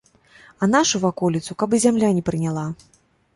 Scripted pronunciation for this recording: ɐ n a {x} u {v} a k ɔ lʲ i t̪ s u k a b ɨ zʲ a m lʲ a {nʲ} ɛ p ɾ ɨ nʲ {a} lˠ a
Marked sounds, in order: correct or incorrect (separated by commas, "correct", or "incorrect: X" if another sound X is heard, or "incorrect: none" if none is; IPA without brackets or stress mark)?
incorrect: ʂ, correct, correct, correct